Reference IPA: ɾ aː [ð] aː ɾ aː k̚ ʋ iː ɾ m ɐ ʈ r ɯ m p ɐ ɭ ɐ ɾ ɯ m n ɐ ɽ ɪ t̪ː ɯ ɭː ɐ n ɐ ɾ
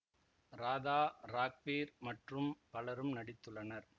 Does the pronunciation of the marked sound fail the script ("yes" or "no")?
no